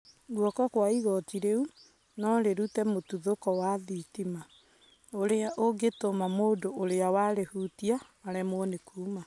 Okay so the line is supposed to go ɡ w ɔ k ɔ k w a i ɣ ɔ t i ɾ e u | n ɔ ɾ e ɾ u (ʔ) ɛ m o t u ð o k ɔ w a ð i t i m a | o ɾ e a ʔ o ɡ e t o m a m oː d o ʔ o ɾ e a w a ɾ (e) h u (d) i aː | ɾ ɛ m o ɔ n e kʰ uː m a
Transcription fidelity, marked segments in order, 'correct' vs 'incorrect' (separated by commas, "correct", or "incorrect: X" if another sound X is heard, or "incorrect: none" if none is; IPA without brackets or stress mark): incorrect: t, correct, incorrect: t